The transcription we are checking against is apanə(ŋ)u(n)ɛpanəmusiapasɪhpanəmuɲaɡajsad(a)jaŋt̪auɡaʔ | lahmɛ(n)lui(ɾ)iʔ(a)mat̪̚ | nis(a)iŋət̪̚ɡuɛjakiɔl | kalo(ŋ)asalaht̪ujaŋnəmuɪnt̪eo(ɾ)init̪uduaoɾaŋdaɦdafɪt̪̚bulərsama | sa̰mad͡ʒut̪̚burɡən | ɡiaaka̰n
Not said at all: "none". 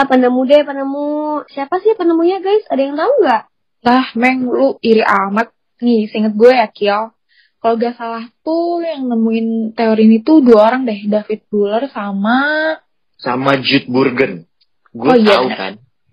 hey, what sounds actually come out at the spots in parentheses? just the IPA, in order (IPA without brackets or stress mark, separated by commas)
m, d, a, ŋ, ɾ, a, ə, ɡ, ɾ